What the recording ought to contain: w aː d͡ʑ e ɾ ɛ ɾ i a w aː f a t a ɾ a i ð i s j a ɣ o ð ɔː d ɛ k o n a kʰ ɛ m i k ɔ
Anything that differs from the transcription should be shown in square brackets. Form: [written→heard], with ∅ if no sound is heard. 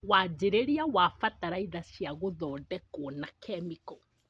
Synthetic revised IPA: w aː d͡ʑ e ɾ [ɛ→e] ɾ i a w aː f a t a ɾ a i ð [i→a] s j a ɣ o ð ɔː d ɛ k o n a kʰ ɛ m i k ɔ